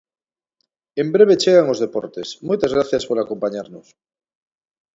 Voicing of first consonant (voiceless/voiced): voiced